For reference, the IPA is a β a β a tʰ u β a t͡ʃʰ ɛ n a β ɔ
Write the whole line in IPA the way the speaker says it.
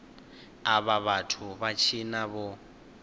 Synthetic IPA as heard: a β a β a tʰ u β a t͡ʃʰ i n a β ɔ